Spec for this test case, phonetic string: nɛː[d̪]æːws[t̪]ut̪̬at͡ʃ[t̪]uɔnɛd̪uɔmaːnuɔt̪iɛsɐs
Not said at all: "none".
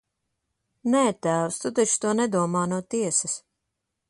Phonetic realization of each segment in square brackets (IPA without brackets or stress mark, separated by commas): t̪, t̪, t̪